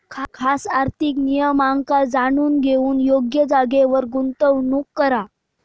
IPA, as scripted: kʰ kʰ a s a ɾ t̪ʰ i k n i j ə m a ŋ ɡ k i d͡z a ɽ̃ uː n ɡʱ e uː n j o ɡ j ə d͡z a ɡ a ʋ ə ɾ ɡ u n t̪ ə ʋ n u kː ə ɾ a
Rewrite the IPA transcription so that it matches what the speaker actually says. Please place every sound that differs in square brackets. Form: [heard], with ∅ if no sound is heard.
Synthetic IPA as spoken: kʰ kʰ a s a ɾ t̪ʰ i k n i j ə m a ŋ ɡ k [a] d͡z a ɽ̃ uː n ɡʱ e uː n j o ɡ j ə d͡z a ɡ [e] ʋ ə ɾ ɡ u n t̪ ə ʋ n u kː ə ɾ a